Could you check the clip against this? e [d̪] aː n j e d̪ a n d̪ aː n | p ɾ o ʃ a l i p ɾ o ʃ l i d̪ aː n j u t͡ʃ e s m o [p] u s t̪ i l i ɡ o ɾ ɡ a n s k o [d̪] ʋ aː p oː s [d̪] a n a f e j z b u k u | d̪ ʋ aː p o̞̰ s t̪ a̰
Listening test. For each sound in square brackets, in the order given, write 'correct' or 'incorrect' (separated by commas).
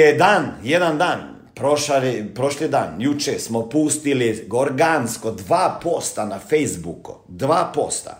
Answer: correct, correct, correct, incorrect